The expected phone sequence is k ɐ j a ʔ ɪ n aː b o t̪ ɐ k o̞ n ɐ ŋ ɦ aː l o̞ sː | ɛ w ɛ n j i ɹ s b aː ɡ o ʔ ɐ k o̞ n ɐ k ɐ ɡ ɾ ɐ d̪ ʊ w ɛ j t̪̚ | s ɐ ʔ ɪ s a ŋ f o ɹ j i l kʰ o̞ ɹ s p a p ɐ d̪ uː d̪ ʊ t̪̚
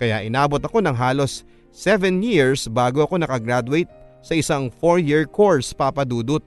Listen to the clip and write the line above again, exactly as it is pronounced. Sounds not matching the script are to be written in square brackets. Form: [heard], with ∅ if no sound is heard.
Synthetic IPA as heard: k ɐ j a ʔ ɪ n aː b o t̪ ɐ k o̞ n ɐ ŋ ɦ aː l o̞ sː | ɛ [v] ɛ n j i ɹ s b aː ɡ o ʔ ɐ k o̞ n ɐ k ɐ ɡ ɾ [a] d̪ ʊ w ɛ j t̪̚ | s ɐ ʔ ɪ s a ŋ f o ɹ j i [ɹ] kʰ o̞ ɹ s p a p ɐ d̪ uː d̪ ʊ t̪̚